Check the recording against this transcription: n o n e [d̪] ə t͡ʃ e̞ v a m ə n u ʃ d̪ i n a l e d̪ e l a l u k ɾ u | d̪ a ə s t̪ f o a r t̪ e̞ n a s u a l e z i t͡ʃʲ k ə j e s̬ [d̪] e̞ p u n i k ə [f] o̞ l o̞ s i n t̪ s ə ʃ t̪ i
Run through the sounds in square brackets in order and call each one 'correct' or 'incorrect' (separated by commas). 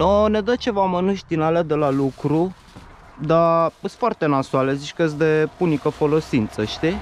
correct, correct, correct